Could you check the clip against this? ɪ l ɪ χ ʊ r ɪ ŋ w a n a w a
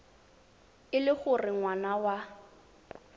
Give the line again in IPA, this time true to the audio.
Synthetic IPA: ɪ l ɪ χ ʊ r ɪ ŋ w a n a w a